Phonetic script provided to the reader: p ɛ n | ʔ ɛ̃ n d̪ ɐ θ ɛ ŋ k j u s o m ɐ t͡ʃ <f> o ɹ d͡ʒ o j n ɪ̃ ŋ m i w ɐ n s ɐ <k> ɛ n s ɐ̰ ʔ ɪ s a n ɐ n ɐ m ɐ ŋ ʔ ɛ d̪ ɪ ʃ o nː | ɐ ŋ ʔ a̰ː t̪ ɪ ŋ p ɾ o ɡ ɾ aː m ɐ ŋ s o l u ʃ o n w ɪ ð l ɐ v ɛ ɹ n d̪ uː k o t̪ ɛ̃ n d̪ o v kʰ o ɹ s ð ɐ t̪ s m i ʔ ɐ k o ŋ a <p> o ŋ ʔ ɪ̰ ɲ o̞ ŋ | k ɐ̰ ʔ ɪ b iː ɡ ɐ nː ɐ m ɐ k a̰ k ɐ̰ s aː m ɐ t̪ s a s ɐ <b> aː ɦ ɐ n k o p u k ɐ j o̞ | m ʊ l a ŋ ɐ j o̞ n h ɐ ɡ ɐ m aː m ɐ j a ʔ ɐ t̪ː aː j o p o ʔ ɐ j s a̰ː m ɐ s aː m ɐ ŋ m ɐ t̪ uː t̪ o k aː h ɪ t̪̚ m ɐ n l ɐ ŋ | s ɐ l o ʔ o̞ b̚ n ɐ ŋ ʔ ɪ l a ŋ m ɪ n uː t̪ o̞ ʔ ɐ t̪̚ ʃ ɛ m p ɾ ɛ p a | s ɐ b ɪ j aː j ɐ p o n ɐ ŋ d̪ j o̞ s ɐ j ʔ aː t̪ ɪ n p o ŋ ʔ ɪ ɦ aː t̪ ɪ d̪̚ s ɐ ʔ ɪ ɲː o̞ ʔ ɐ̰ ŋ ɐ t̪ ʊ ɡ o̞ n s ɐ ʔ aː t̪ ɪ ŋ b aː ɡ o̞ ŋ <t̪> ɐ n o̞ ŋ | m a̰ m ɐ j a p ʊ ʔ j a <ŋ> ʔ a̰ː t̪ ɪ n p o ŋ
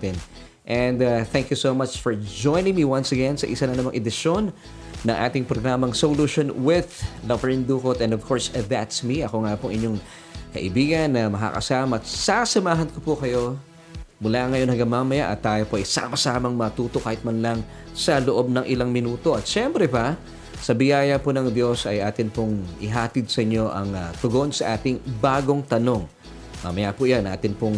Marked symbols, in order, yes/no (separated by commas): yes, no, yes, no, yes, no